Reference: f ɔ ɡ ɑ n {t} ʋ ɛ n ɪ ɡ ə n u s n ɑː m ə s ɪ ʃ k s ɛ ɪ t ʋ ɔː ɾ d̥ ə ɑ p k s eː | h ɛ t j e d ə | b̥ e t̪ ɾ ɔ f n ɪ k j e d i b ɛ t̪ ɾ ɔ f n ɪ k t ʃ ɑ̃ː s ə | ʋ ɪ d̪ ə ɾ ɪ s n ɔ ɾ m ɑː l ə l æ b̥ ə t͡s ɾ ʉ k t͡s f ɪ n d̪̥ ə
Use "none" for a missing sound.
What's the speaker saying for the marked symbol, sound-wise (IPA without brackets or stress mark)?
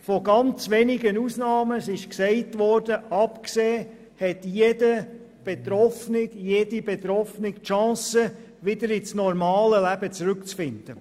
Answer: t͡s